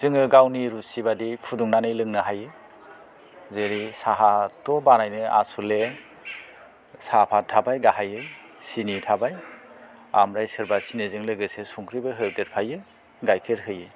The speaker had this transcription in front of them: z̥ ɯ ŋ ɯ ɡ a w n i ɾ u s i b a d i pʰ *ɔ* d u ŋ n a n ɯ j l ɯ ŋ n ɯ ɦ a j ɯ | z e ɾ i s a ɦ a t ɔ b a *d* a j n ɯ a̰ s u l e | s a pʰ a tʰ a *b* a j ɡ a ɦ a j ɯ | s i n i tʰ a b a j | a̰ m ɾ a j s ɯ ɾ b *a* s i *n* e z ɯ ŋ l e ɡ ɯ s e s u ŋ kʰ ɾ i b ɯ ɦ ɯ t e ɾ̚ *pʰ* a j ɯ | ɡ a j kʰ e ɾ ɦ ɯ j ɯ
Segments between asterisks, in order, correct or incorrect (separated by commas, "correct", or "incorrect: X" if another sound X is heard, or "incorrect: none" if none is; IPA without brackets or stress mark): incorrect: u, incorrect: n, correct, correct, correct, correct